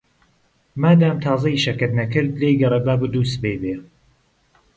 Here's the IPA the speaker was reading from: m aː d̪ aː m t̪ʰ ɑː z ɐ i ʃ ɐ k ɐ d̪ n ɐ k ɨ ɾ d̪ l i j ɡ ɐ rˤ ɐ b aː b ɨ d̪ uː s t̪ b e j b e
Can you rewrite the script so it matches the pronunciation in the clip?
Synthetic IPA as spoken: m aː d̪ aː m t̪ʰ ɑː z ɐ i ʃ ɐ k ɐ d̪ n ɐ k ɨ ɾ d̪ l e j ɡ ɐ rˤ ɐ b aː b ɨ d̪ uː s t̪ b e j b e